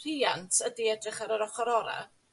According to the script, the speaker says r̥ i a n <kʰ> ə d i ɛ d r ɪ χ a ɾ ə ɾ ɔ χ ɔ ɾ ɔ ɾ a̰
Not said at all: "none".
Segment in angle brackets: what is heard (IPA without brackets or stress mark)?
tʰ